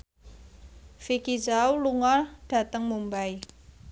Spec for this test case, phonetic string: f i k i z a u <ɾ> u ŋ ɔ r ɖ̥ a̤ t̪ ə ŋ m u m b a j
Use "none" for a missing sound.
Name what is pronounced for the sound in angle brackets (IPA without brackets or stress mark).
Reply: l